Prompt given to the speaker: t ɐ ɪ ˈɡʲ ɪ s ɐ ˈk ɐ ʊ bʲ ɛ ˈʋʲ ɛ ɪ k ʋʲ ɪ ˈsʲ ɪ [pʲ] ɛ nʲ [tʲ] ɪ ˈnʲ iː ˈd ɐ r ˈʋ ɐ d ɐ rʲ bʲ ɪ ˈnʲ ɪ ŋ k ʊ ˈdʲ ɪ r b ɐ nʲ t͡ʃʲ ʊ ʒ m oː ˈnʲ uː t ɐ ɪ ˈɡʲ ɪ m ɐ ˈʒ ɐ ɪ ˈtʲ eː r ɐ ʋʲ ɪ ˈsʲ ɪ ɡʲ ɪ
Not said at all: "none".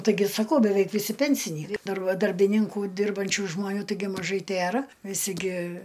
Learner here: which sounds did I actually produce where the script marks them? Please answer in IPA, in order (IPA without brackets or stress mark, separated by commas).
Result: pʲ, sʲ